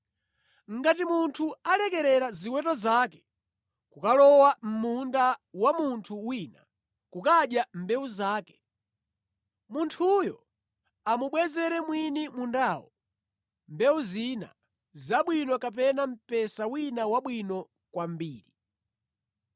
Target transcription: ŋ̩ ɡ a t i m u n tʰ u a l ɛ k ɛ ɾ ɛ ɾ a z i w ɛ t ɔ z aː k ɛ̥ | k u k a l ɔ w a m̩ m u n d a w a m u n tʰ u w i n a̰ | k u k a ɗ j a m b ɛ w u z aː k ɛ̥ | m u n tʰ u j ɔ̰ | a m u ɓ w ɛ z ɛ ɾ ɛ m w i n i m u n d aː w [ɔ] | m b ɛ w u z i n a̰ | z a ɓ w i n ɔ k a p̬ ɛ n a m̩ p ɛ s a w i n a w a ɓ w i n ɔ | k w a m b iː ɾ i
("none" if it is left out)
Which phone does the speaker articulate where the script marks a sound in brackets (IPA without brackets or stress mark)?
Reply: ɔ